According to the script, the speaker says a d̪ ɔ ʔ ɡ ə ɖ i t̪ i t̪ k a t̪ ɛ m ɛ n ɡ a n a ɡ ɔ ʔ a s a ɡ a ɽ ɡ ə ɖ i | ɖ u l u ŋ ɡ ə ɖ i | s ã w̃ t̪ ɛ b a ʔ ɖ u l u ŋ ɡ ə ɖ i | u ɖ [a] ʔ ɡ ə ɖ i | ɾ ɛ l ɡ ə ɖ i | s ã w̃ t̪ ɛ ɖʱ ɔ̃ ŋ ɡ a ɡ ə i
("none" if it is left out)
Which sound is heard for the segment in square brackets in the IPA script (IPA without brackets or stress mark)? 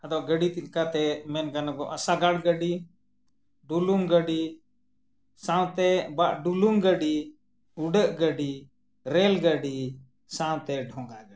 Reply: ə